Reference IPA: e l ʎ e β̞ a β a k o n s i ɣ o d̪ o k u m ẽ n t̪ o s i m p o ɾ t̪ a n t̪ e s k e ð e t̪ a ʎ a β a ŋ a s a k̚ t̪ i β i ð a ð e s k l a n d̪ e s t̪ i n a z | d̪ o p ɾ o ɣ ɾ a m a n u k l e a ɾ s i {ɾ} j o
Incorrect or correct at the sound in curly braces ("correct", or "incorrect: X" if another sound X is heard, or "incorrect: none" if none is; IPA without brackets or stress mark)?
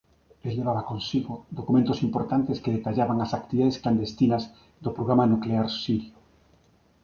correct